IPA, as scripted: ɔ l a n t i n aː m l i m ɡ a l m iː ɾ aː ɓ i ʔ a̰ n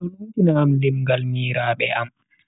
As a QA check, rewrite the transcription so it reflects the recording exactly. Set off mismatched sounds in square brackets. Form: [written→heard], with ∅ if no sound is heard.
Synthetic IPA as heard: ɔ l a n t i n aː m l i m ɡ a l m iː ɾ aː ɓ [i→ɛ] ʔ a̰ [n→m]